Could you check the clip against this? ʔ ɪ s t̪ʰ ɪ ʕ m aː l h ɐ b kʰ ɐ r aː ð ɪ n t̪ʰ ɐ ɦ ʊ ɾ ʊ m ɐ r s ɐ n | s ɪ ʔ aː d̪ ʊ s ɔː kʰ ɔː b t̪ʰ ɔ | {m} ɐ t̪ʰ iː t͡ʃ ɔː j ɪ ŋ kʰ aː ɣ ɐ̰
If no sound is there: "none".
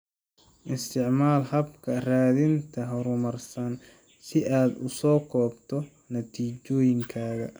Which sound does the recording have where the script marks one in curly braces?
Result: n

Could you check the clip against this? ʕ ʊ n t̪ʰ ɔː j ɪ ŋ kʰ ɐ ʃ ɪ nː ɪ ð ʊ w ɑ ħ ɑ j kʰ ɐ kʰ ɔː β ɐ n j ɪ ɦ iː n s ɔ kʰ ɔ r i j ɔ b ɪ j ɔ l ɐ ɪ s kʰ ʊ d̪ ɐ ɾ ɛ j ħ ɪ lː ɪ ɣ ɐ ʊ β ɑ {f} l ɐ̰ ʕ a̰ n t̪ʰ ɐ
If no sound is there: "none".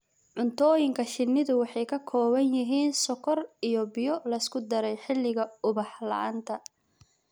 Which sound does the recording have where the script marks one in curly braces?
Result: ħ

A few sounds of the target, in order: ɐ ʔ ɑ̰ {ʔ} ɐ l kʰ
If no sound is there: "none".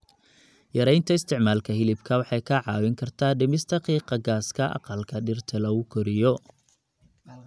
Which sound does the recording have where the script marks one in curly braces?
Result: q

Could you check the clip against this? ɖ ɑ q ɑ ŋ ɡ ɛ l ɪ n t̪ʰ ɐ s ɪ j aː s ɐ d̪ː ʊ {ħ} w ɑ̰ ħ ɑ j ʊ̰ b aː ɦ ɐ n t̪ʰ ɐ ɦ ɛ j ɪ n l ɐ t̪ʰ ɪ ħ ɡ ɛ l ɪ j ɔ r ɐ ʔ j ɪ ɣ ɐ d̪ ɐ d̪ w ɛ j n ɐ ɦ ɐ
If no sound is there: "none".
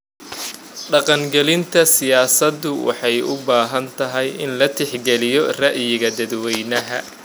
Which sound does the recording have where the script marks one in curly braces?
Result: none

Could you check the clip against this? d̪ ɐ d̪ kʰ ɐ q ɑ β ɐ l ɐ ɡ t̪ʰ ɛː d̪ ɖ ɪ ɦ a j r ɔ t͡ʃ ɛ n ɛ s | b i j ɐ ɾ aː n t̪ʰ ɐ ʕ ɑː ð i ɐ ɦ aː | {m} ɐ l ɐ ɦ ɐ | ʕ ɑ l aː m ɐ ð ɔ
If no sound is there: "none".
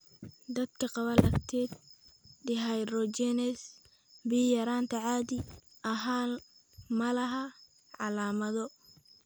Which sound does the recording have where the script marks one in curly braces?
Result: m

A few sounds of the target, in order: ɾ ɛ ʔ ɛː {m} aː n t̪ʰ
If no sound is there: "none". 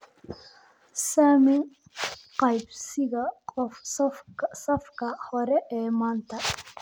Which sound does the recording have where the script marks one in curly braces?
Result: m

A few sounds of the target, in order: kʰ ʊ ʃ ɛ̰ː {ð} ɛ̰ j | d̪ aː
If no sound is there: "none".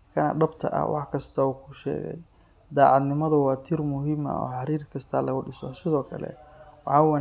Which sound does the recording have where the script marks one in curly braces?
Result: ɣ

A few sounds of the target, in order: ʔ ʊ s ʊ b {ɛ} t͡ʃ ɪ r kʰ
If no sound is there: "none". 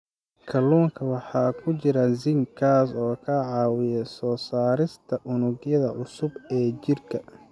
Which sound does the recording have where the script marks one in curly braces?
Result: ɛː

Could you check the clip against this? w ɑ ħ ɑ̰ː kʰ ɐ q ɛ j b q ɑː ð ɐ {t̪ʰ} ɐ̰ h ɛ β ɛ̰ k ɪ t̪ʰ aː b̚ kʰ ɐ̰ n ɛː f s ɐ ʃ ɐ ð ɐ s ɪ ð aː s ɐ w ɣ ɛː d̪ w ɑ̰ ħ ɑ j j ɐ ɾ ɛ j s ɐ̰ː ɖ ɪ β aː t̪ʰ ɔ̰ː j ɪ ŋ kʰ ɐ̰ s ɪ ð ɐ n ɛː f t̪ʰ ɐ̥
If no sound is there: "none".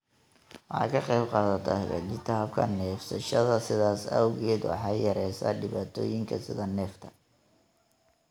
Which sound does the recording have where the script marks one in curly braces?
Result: t̪ʰ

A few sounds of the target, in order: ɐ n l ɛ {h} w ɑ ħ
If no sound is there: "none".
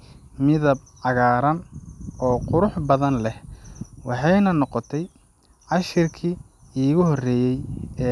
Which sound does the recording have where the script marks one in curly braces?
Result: h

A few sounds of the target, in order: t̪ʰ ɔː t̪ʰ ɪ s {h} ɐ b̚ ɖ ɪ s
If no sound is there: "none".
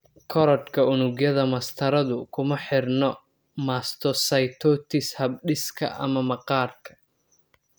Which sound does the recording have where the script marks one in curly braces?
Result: h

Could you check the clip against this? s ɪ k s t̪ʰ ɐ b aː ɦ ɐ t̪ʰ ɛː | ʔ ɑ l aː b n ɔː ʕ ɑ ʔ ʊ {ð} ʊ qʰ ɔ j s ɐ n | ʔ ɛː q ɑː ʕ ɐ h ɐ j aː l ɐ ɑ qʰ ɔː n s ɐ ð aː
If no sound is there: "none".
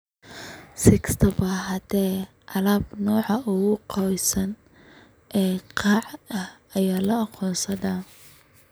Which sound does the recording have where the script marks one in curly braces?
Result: ɣ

